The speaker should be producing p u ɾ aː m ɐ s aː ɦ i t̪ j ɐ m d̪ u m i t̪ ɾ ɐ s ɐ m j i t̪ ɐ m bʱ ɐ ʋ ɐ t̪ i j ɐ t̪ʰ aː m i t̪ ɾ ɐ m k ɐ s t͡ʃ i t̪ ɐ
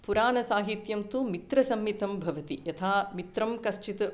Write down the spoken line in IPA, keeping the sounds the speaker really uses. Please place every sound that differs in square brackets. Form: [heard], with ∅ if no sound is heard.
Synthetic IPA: p u ɾ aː [n] ɐ s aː ɦ i t̪ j ɐ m [t̪] u m i t̪ ɾ ɐ s ɐ m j i t̪ ɐ m bʱ ɐ ʋ ɐ t̪ i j ɐ t̪ʰ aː m i t̪ ɾ ɐ m k ɐ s t͡ʃ i t̪ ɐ

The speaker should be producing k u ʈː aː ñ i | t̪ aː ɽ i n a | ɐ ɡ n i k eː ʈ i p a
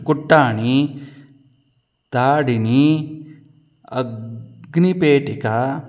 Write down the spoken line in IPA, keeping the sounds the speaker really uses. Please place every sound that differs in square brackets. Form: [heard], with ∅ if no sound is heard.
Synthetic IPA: k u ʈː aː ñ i | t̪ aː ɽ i n [i] | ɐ ɡ n i [p] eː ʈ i [k] a

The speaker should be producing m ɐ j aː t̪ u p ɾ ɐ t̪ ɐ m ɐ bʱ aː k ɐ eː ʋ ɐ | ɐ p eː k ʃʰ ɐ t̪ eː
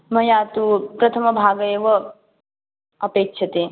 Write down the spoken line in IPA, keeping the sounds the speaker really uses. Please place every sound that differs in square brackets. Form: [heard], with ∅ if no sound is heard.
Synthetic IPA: m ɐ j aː t̪ u p ɾ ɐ [t̪ʰ] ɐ m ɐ bʱ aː [ɡ] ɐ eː ʋ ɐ | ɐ p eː k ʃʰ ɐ t̪ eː

